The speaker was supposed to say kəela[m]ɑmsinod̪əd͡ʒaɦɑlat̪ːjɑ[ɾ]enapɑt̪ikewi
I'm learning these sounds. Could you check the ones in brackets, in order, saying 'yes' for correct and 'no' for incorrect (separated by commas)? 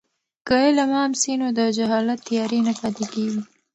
yes, yes